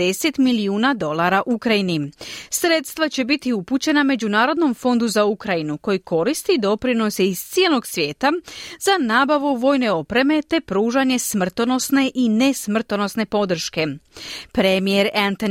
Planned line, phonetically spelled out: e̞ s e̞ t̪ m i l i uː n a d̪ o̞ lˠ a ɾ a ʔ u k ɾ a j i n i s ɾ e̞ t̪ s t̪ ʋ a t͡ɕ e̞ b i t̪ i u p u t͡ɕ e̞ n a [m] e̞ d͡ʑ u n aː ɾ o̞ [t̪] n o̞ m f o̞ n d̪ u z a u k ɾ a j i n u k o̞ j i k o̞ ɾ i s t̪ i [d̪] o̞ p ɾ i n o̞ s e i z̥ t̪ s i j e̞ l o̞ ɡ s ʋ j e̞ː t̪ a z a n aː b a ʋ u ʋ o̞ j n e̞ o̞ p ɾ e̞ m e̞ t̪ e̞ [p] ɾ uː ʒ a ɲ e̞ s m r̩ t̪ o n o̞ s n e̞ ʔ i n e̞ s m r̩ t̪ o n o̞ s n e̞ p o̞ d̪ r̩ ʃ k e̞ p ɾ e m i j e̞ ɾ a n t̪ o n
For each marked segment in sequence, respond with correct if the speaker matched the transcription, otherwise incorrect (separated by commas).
correct, incorrect, correct, correct